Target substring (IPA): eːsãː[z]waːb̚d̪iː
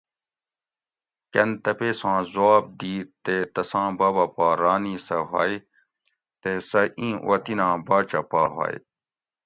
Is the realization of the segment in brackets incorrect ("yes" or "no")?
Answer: no